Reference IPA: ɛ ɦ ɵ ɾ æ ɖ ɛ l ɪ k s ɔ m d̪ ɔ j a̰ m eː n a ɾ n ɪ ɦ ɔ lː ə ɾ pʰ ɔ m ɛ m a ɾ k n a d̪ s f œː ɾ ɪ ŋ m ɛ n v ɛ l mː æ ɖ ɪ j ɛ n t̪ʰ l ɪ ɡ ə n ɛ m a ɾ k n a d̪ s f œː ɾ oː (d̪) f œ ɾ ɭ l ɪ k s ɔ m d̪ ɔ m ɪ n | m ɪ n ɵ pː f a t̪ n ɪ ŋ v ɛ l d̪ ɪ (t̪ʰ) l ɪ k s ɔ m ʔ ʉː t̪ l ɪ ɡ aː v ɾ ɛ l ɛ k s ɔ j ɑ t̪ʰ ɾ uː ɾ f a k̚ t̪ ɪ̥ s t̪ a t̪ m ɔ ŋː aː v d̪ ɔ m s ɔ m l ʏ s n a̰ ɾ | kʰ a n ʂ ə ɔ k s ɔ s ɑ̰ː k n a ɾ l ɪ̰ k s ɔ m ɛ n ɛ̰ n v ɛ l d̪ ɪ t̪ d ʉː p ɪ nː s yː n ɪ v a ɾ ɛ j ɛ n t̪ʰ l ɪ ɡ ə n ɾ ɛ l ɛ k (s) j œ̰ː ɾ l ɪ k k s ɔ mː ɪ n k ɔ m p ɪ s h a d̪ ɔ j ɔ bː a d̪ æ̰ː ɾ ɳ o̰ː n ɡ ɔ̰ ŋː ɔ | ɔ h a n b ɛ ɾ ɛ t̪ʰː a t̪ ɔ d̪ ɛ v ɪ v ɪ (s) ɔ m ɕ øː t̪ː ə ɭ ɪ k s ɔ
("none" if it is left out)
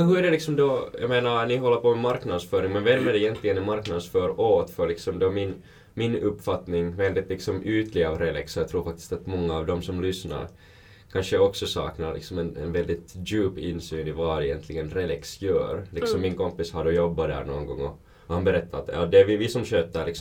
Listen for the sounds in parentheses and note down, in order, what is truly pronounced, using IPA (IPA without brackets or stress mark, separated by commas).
t̪, t̪, s, s